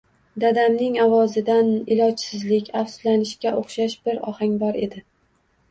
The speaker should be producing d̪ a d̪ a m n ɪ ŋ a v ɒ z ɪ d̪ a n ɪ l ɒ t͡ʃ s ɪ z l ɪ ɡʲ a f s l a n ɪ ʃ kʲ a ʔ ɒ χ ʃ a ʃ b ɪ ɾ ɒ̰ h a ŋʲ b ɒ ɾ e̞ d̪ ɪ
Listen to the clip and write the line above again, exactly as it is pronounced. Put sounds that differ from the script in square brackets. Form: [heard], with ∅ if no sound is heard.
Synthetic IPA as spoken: d̪ a d̪ a m n ɪ ŋ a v ɒ z ɪ d̪ a n ɪ l ɒ t͡ʃ s ɪ z l ɪ [kʲ] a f s l a n ɪ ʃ kʲ a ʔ [o] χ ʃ a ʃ b ɪ ɾ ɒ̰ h a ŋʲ b ɒ ɾ e̞ d̪ ɪ

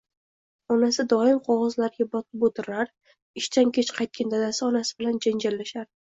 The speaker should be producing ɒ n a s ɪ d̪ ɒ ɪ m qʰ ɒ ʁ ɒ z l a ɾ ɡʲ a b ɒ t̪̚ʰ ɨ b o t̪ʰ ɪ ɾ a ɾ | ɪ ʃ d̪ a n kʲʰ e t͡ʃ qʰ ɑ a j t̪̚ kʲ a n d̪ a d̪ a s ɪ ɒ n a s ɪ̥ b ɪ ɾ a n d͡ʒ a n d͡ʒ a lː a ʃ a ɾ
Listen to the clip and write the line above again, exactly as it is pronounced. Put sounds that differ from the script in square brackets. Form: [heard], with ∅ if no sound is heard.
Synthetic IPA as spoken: ɒ n a s ɪ d̪ ɒ ɪ m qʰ ɒ ʁ ɒ z l a ɾ ɡʲ a b ɒ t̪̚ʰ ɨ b o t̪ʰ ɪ ɾ a ɾ | ɪ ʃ [t̪] a n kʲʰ e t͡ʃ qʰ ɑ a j t̪̚ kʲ a n d̪ a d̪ a s ɪ ɒ n a s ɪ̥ b ɪ [l] a n d͡ʒ a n d͡ʒ a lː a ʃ a ɾ

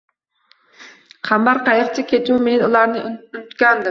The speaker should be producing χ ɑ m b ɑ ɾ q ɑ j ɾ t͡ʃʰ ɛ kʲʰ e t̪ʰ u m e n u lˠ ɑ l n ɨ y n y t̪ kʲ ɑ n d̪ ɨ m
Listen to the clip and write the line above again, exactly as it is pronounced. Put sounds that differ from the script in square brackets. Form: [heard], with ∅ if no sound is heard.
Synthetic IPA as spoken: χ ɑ m b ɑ ɾ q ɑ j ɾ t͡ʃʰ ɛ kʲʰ e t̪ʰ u m e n u lˠ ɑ [ɾ] n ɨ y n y t̪ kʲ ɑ n d̪ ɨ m

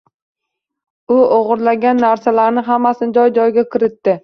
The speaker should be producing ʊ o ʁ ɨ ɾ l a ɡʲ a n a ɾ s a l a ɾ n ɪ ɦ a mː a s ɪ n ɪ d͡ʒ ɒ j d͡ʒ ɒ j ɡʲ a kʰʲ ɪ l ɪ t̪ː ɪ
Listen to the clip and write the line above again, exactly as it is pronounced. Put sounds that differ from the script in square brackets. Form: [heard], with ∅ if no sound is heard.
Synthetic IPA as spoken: ʊ o ʁ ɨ ɾ l a ɡʲ a [nː] a ɾ s a l a ɾ n ɪ ɦ a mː a s ɪ n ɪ d͡ʒ ɒ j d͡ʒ ɒ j ɡʲ a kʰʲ ɪ [ɾ] ɪ t̪ː ɪ

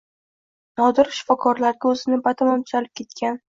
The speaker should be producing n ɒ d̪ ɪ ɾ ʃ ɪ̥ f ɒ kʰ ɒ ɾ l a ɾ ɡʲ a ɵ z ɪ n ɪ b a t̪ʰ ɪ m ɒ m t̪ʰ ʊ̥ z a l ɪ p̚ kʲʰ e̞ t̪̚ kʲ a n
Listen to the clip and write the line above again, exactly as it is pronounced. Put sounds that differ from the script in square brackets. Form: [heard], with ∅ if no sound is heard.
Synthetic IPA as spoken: n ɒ d̪ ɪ ɾ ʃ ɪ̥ f ɒ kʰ ɒ ɾ l a ɾ ɡʲ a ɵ z ɪ n ɪ b a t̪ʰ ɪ m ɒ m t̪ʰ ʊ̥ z a l ɪ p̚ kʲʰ e̞ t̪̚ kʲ a n

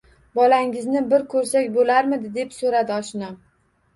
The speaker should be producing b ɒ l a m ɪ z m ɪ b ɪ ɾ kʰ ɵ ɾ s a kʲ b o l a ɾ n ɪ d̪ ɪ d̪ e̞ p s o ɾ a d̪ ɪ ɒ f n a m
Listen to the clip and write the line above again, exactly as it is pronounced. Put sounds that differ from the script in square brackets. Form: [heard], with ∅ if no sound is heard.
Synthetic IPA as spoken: b ɒ l a [ŋ] ɪ z [n] ɪ b ɪ ɾ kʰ ɵ ɾ s a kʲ b o l a ɾ [m] ɪ d̪ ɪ d̪ e̞ p s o ɾ a d̪ ɪ ɒ [ʃ] n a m

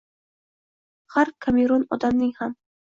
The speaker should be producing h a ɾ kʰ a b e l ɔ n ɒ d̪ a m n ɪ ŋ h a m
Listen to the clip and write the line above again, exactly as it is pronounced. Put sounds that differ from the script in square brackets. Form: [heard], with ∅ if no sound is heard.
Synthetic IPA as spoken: h a ɾ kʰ a [m] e [ɾ] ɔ n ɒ d̪ a m n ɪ ŋ h a m

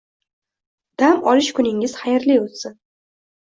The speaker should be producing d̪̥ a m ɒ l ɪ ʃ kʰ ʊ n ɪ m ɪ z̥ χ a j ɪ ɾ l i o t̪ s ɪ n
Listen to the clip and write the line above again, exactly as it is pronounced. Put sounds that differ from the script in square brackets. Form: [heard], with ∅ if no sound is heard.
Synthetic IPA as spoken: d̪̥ a m ɒ l ɪ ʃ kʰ ʊ n ɪ [ŋ] ɪ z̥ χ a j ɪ ɾ l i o t̪ s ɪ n

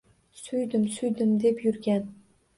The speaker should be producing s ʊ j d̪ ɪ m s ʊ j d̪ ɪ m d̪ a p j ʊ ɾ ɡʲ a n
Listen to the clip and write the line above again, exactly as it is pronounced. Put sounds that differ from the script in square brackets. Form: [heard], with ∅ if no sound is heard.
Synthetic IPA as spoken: s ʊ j d̪ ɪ m s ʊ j d̪ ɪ m d̪ [e] p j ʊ ɾ ɡʲ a n

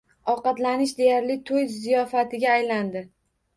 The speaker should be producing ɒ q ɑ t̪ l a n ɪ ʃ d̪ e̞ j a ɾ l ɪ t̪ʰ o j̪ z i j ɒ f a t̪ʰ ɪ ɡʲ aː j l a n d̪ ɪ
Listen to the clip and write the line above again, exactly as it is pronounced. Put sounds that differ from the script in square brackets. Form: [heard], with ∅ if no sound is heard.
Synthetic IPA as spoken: ɒ q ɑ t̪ l a n ɪ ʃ d̪ e̞ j a ɾ l ɪ t̪ʰ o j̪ z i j ɒ f a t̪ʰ ɪ ɡʲ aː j l a n d̪ ɪ

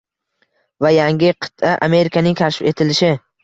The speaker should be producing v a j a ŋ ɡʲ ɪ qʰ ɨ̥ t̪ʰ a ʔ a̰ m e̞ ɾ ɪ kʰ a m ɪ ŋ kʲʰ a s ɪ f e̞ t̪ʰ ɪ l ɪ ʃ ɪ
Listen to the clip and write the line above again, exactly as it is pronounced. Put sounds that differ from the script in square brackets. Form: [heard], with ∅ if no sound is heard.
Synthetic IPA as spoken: v a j a ŋ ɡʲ ɪ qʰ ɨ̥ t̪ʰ a ʔ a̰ m e̞ ɾ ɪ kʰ a [n] ɪ ŋ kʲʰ a [ʃ] ɪ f e̞ t̪ʰ ɪ l ɪ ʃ ɪ

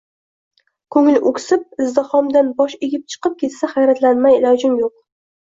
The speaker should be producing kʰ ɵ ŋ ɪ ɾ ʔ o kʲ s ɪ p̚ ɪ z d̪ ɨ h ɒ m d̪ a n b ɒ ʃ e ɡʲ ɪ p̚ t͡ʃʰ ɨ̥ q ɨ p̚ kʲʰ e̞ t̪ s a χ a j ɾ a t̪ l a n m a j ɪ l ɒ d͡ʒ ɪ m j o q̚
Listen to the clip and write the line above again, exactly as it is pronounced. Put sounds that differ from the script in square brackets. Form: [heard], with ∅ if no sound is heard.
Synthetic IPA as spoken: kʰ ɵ ŋ ɪ [l] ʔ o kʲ s ɪ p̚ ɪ z d̪ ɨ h ɒ m d̪ a n b ɒ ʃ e ɡʲ ɪ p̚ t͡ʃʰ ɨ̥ q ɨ p̚ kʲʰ e̞ t̪ s a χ a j ɾ a t̪ l a n m a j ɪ l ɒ d͡ʒ ɪ m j o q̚

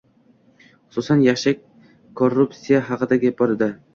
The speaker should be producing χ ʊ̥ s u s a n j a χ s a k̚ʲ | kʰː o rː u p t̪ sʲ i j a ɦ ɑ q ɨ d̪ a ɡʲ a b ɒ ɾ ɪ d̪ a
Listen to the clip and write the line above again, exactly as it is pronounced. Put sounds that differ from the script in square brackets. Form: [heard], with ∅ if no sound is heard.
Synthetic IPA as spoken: χ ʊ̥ s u s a n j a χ [ʃ] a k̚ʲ | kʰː o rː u p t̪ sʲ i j a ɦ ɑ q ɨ d̪ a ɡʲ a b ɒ ɾ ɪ d̪ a

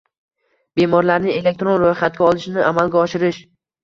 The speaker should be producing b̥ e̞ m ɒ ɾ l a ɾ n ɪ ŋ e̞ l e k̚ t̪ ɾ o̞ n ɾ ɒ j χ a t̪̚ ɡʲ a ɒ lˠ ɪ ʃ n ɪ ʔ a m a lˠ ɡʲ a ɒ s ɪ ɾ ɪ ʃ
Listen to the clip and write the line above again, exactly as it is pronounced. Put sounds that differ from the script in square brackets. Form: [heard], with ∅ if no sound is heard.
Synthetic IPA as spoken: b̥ e̞ m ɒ ɾ l a ɾ n ɪ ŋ e̞ l e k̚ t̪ ɾ o̞ n ɾ [o] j χ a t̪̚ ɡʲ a ɒ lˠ ɪ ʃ n ɪ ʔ a m a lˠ ɡʲ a ɒ [ʃ] ɪ ɾ ɪ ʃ

